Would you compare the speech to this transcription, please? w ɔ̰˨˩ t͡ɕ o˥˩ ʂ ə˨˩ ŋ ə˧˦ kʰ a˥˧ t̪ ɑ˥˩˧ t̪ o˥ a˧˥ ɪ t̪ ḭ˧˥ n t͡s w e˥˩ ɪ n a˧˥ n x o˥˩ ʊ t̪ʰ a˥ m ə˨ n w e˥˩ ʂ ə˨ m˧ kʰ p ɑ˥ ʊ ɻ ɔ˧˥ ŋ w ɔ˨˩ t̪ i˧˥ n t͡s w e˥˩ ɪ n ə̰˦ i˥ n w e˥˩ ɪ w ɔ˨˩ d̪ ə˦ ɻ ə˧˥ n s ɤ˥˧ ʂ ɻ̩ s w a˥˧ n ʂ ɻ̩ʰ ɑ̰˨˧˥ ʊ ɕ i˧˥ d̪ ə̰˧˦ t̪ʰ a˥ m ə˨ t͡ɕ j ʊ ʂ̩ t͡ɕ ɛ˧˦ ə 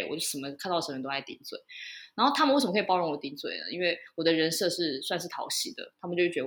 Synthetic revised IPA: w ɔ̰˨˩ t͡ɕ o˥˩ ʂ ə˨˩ m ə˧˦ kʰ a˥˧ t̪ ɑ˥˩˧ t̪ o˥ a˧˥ ɪ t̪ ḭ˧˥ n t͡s w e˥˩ ɪ n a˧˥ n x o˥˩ ʊ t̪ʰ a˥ m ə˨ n w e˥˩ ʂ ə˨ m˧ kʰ p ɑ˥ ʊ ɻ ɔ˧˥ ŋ w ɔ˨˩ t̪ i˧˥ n t͡s w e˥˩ ɪ n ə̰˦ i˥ n w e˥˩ ɪ w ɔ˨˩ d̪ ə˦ ɻ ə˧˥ n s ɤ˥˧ ʂ ɻ̩ s w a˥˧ n ʂ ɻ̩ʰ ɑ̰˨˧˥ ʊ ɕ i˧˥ d̪ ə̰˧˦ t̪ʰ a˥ m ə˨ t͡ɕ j ʊ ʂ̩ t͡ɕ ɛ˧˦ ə